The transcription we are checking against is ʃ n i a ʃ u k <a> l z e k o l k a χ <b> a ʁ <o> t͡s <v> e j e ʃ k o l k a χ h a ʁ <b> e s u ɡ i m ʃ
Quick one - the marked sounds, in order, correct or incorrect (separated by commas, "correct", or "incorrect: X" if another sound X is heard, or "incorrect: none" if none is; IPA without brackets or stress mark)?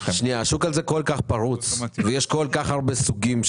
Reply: correct, incorrect: p, incorrect: u, correct, correct